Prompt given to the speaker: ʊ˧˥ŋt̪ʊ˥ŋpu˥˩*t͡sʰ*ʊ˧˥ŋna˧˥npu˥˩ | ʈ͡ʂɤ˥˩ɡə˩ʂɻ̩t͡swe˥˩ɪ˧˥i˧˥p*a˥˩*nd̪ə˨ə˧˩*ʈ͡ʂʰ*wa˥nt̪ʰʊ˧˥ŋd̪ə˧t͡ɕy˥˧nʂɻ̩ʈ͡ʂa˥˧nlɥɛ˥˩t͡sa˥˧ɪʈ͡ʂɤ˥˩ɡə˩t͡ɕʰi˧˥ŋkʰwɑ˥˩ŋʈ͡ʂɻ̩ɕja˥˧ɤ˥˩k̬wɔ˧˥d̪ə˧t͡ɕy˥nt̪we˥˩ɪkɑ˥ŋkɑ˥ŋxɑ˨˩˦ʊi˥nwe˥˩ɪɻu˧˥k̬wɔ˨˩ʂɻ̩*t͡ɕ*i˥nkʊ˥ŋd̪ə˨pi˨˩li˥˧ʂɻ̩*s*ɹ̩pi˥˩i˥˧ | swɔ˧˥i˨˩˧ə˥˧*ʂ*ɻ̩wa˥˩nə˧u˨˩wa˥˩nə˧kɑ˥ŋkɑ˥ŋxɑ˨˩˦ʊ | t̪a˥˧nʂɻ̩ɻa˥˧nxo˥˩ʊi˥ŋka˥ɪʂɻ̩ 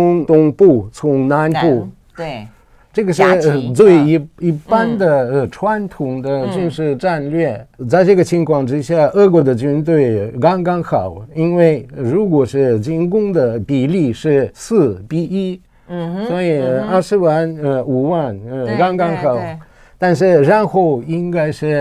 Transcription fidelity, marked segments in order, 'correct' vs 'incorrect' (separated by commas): correct, incorrect, correct, correct, correct, correct